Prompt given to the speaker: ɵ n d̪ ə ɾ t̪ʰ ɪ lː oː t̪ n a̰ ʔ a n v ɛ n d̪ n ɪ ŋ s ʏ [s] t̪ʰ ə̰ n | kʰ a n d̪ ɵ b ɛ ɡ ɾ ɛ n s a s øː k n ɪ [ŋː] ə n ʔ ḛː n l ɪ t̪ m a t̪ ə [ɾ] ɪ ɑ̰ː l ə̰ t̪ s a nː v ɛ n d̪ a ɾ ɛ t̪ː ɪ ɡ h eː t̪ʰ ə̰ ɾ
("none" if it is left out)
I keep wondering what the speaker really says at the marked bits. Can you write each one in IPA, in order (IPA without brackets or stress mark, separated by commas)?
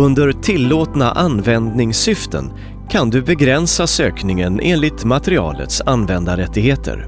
f, ŋ, ɾ